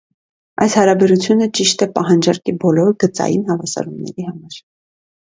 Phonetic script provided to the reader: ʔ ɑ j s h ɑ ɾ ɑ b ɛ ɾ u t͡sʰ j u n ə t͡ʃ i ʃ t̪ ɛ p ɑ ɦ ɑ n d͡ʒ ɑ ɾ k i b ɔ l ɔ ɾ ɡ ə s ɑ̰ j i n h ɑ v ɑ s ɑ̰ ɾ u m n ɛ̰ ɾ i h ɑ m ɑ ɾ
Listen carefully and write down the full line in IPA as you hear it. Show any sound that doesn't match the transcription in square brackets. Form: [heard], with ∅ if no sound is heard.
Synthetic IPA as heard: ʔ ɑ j s h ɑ ɾ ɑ b ɛ ɾ u t͡sʰ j u n ə t͡ʃ i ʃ t̪ ɛ p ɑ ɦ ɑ n d͡ʒ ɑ ɾ k i b ɔ l ɔ ɾ ɡ ə [t͡s] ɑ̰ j i n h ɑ v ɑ s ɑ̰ ɾ u m n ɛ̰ ɾ i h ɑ m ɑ ɾ